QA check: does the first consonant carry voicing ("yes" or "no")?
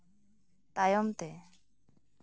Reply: no